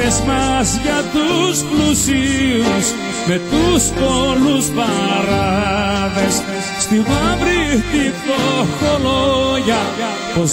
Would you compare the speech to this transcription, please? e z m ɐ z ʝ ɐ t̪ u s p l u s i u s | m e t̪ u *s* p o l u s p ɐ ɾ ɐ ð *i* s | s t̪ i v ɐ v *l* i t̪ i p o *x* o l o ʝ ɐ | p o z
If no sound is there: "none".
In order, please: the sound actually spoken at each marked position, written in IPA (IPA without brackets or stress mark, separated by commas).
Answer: s, e, ɾ, x